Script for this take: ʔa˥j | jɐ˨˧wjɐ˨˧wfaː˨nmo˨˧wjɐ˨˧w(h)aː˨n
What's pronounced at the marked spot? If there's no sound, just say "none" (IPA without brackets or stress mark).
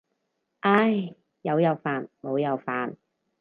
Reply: f